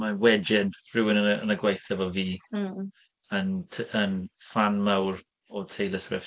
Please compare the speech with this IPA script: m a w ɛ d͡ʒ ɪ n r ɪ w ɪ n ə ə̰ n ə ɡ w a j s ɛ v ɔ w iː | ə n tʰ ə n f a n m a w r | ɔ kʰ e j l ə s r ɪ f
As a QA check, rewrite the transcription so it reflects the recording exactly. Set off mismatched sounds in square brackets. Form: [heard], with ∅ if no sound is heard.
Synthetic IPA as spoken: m a w ɛ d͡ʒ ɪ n r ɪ w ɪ n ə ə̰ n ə ɡ w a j [θ] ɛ v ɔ [v] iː | ə n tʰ ə n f a n m a w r | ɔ [tʰ] e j l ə s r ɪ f